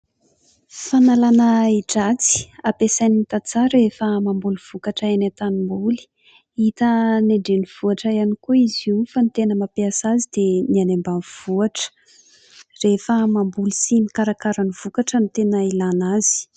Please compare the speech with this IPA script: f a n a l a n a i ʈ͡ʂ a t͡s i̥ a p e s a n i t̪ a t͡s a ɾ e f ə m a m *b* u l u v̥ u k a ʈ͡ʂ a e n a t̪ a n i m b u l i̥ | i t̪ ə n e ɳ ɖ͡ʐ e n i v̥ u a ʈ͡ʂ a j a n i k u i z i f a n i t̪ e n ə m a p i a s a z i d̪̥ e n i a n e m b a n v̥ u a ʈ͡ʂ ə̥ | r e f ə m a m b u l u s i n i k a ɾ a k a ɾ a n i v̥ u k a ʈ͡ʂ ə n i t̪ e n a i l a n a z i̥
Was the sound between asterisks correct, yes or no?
yes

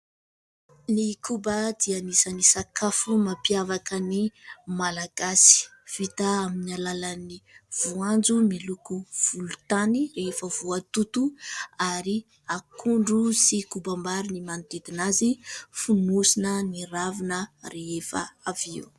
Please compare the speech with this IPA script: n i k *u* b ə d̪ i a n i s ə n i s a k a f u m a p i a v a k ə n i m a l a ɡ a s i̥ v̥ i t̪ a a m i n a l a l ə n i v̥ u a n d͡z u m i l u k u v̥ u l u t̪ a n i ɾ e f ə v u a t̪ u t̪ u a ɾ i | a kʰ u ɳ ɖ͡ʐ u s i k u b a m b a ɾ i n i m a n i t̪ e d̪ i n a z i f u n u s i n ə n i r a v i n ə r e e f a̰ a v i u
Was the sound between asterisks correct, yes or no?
yes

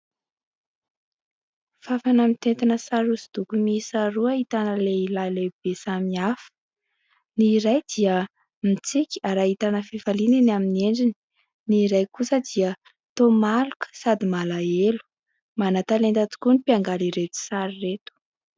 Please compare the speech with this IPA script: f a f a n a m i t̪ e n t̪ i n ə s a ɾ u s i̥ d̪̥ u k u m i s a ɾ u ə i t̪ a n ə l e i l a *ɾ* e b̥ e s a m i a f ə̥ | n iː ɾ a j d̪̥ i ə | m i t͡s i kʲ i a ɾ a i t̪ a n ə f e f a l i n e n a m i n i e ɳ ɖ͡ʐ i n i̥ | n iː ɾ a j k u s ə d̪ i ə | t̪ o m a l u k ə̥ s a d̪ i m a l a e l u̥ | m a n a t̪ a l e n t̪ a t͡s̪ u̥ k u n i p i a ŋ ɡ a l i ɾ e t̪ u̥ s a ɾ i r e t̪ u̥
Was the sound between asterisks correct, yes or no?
no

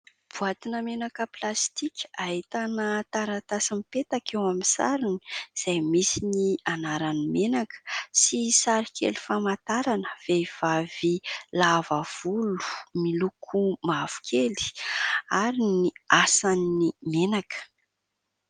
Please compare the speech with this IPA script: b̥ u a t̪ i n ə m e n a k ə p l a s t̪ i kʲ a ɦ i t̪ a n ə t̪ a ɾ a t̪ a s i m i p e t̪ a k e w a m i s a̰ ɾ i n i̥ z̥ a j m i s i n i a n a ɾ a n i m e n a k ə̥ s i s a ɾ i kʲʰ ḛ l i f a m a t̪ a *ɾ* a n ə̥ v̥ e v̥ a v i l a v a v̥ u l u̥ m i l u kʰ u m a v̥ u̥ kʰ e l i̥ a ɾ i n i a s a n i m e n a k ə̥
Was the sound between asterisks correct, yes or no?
yes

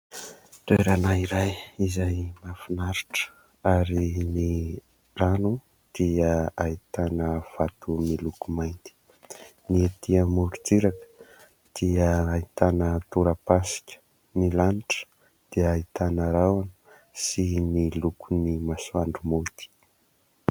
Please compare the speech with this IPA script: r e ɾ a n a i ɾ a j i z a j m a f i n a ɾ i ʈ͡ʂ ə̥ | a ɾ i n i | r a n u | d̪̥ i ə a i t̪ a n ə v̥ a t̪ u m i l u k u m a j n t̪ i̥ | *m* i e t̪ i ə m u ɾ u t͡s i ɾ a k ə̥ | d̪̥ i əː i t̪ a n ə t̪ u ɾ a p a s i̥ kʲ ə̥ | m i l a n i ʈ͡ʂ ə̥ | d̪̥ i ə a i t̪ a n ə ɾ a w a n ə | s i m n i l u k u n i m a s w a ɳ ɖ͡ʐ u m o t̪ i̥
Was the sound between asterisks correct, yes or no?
no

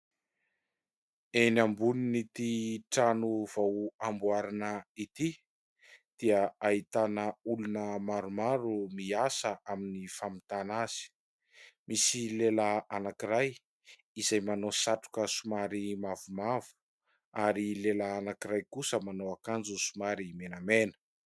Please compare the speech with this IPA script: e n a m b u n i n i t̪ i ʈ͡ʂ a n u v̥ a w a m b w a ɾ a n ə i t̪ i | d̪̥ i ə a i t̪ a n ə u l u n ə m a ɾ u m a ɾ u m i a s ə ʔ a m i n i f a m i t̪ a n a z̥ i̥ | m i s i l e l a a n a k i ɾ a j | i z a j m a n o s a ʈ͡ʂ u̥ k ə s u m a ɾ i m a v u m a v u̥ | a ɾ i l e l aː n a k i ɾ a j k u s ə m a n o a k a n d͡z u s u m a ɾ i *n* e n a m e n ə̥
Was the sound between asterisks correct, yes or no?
no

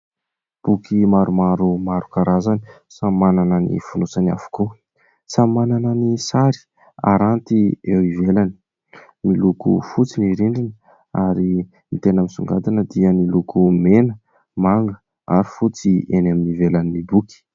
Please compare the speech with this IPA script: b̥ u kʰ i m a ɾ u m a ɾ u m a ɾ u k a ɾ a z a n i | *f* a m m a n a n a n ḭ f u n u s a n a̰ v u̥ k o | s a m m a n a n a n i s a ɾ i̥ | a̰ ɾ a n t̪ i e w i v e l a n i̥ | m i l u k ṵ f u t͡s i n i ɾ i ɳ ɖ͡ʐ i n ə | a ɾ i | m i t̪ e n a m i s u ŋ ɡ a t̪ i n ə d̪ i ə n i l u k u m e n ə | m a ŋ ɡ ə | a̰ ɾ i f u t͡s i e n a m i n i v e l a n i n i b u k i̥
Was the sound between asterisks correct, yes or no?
no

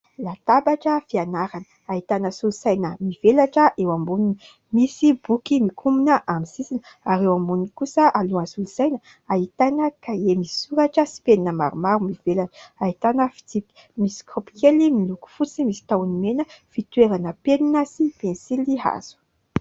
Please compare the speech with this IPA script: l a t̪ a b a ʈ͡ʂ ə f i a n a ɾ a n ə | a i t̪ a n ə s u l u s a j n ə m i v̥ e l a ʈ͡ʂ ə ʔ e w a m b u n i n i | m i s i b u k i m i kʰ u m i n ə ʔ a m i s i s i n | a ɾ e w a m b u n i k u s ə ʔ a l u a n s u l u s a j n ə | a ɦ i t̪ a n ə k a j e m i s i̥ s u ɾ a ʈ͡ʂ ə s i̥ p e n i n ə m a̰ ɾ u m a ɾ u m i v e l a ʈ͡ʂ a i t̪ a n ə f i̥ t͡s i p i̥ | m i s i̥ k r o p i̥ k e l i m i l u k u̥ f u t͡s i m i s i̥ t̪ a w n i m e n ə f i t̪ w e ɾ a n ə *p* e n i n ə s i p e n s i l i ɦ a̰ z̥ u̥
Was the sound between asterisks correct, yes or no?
yes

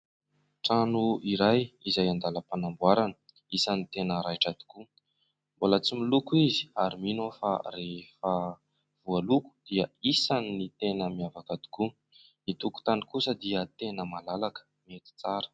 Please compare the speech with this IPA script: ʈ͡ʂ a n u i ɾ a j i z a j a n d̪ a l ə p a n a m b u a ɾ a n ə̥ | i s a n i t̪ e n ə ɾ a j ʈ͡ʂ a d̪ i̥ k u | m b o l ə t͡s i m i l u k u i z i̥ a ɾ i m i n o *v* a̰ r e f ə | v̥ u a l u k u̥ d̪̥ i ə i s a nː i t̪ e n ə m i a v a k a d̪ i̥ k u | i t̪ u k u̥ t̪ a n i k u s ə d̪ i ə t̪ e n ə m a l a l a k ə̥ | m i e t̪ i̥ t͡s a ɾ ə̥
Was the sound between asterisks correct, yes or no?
no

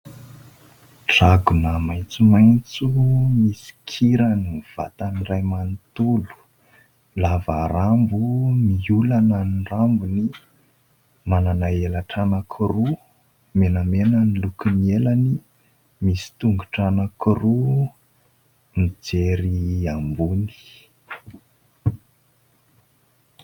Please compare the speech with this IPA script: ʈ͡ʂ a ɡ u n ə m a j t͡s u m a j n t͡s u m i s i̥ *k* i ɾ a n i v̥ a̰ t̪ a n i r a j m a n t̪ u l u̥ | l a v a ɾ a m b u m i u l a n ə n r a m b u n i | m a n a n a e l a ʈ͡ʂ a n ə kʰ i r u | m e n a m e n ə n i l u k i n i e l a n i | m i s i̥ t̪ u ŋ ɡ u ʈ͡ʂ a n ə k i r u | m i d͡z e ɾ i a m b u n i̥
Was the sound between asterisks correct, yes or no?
no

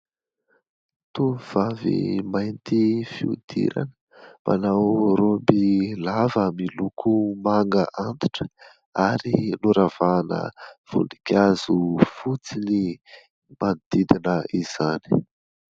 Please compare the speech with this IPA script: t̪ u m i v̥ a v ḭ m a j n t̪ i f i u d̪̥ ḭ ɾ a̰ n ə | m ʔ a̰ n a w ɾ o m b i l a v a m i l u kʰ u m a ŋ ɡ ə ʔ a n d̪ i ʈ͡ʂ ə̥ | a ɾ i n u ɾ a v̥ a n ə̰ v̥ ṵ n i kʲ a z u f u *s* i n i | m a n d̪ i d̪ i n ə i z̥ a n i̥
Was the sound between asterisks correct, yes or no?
no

